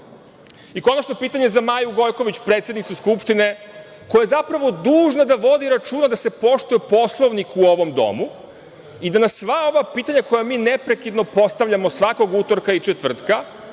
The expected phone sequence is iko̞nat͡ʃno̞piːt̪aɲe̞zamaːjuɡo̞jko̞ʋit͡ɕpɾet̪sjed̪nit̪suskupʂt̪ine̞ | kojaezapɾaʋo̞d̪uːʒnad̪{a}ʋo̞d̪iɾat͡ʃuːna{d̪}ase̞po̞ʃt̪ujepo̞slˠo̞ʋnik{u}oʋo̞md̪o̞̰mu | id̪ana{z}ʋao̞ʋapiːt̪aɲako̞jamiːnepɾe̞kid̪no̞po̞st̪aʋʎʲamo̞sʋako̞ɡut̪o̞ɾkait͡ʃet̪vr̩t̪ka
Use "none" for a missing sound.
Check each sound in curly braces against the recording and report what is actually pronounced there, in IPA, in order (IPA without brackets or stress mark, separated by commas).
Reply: a, d̪, u, s